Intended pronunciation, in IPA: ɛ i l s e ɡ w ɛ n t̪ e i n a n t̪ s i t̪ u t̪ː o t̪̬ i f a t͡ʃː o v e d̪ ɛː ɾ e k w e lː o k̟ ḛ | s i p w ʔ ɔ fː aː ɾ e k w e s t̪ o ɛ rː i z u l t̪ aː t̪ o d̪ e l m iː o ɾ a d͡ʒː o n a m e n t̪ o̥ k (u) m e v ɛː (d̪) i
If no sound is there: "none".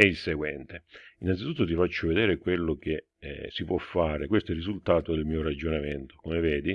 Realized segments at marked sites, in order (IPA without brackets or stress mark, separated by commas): o, d̪